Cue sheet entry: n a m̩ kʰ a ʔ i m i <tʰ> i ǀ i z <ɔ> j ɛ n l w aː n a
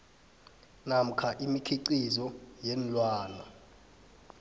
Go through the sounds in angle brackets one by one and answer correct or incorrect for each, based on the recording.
incorrect: kʰ, correct

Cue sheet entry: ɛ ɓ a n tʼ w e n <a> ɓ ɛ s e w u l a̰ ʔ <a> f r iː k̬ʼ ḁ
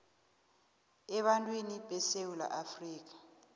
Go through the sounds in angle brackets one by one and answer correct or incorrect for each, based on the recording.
incorrect: i, correct

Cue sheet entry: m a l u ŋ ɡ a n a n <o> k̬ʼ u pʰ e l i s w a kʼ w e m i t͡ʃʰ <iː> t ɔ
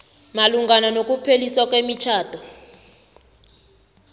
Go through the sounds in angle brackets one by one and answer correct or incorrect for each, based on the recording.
correct, incorrect: aː

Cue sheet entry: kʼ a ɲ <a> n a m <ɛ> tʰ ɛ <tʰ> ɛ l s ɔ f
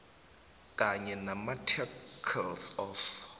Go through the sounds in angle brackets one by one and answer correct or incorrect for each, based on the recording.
incorrect: ɛ, incorrect: a, incorrect: kʰ

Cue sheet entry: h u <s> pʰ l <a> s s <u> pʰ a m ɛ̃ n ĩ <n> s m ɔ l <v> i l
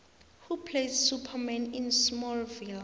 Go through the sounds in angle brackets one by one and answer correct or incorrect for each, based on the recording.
incorrect: none, incorrect: e, correct, correct, correct

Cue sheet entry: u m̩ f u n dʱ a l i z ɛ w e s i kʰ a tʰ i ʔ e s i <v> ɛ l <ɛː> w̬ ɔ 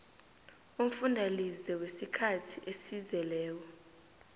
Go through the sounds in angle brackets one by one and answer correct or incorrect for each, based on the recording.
incorrect: z, correct

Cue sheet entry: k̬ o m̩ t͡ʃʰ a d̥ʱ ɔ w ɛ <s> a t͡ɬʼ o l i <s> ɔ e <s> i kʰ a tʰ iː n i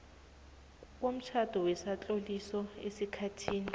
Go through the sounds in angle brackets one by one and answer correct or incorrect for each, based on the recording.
correct, correct, correct

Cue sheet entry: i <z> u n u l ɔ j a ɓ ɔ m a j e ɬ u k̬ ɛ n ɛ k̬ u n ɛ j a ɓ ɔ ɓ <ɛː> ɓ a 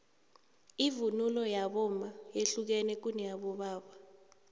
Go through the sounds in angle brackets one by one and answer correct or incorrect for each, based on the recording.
incorrect: v, incorrect: aː

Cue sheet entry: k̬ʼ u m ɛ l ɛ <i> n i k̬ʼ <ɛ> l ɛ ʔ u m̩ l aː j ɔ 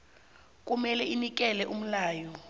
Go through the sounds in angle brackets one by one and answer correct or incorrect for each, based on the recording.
correct, correct

